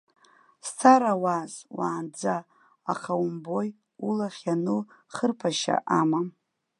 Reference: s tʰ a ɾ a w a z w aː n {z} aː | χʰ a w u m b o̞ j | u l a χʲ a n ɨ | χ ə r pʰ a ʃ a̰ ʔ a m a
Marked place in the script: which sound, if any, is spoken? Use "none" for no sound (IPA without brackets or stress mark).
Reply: d͡z